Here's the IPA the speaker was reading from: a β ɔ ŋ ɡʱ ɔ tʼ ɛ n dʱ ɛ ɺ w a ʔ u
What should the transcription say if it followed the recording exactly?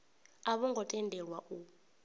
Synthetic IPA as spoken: a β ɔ ŋ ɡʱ ɔ tʼ ɛ n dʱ ɛ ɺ w a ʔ u